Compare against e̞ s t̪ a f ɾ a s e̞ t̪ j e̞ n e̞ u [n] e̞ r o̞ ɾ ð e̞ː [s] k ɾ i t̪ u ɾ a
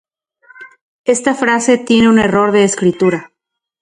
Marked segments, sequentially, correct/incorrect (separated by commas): correct, correct